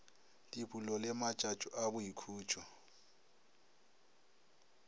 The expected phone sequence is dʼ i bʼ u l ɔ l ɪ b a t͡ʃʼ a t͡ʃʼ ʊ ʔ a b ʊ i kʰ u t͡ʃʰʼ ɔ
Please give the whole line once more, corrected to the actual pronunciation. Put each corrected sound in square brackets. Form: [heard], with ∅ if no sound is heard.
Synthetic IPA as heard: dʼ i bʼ u l ɔ l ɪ [m] a t͡ʃʼ a t͡ʃʼ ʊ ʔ a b ʊ i kʰ [uː] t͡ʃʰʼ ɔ